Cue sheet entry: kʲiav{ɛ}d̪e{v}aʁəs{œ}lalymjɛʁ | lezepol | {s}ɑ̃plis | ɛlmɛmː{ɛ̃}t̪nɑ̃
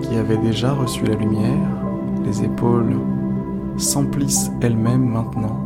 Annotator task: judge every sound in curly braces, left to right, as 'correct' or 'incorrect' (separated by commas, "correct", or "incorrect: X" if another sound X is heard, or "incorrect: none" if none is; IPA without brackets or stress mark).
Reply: correct, incorrect: ʒ, incorrect: y, correct, correct